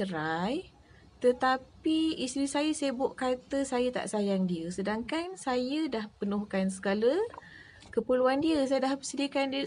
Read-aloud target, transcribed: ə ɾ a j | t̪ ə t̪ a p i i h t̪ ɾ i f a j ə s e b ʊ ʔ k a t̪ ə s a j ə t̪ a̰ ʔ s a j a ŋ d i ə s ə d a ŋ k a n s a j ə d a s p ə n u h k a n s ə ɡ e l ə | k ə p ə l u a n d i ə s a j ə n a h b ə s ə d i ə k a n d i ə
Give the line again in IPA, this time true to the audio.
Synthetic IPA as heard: ə ɾ a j | t̪ ə t̪ a p i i s t̪ ɾ i s a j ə s e b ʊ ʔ k a t̪ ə s a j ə t̪ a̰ ʔ s a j a ŋ d i ə s ə d a ŋ k a n s a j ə d a h p ə n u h k a n s ə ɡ a l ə | k ə p ə l u a n d i ə s a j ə d a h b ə s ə d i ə k a n d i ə